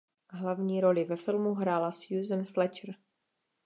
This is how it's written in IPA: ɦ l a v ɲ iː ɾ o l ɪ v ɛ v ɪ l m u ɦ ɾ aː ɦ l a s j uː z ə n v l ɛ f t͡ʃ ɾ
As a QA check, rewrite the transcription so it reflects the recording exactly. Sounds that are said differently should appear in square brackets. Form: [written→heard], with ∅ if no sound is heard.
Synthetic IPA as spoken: ɦ l a v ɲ iː ɾ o l ɪ v ɛ [v→f] ɪ l m u ɦ ɾ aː [ɦ→∅] l a s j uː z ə n [v→f] l ɛ [f→∅] t͡ʃ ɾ